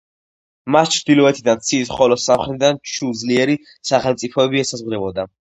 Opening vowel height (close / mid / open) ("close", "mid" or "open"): open